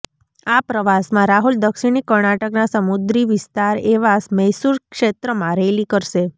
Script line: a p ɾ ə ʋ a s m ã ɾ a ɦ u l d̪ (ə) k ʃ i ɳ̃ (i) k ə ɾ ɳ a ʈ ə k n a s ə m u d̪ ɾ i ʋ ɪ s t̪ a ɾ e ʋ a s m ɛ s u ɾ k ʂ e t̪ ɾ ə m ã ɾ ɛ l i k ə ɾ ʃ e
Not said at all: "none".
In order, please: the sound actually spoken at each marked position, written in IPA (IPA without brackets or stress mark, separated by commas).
ə, i